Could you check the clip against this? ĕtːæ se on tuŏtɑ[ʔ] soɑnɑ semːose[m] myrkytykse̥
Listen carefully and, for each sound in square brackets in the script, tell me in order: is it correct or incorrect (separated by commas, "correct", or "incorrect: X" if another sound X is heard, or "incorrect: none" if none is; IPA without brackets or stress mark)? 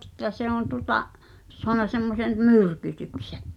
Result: correct, incorrect: n